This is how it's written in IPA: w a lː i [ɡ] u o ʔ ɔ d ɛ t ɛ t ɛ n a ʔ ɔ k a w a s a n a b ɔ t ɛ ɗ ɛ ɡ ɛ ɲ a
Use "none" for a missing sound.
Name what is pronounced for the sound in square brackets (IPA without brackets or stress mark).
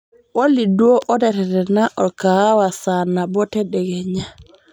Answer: d